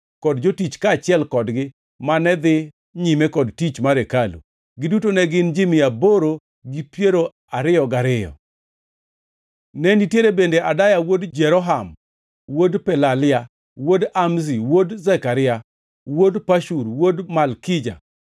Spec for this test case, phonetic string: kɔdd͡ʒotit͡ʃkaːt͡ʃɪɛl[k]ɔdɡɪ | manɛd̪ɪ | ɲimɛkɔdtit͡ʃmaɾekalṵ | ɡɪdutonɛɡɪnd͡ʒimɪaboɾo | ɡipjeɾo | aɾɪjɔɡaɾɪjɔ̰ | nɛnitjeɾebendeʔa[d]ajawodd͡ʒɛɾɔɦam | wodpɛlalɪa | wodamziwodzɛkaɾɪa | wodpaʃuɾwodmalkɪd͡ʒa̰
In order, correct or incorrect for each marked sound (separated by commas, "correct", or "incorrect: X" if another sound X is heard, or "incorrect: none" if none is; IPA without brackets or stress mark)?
correct, correct